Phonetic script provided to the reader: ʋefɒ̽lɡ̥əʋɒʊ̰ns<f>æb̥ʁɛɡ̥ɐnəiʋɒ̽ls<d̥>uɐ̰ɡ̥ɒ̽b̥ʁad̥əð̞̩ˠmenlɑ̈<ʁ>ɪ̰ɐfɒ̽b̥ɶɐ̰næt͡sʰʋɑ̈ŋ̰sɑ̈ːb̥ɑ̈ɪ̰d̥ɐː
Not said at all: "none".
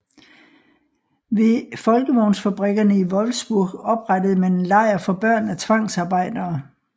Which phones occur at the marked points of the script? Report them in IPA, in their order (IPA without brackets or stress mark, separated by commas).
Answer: f, b̥, none